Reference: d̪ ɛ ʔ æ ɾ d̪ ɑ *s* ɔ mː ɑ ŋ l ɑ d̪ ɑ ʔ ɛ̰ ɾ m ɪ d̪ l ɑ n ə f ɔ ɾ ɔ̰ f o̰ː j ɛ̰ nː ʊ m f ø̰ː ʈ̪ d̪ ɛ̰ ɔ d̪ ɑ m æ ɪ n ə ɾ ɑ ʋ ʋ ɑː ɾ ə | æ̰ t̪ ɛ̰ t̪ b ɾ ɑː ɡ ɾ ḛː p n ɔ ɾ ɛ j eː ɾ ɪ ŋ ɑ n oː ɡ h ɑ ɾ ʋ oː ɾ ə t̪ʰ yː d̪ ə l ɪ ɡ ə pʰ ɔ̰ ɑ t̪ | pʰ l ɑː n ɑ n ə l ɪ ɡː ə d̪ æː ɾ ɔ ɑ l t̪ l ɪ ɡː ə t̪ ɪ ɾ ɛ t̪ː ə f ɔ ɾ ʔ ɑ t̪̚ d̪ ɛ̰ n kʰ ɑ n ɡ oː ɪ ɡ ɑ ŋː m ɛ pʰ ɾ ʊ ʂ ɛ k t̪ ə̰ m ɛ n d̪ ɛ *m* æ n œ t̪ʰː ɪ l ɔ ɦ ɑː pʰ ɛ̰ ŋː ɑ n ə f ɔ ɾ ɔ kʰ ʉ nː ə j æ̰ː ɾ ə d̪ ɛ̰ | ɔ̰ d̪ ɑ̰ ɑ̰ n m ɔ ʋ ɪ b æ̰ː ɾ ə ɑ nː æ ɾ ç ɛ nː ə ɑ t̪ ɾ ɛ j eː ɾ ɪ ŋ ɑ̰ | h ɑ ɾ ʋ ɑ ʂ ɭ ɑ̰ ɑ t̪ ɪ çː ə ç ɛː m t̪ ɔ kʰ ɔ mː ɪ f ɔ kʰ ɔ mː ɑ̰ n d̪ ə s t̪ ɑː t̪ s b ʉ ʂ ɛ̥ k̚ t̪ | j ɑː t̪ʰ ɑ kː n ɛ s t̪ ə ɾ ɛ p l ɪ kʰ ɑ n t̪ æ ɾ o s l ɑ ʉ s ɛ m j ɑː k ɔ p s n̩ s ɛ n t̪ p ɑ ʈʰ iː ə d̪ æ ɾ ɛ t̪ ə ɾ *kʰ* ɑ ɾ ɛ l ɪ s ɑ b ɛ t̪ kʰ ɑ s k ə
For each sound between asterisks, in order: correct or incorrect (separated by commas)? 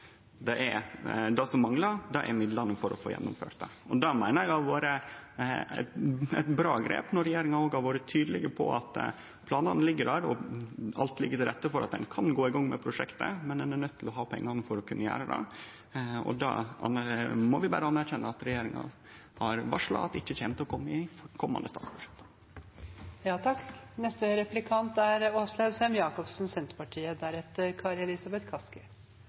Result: correct, incorrect, correct